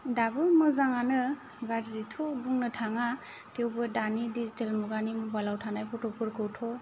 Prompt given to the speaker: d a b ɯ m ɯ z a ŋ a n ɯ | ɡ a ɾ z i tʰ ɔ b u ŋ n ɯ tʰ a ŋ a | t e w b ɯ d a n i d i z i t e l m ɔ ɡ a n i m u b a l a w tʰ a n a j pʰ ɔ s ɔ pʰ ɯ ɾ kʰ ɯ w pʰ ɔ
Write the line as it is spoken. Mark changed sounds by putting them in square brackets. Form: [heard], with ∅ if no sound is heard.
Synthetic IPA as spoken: d a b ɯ m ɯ z a ŋ a n ɯ | ɡ a ɾ z i tʰ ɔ b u ŋ n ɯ tʰ a ŋ a | t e w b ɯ d a n i d i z i t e l m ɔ ɡ a n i m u b a l a w tʰ a n a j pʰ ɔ [t] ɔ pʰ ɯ ɾ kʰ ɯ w [tʰ] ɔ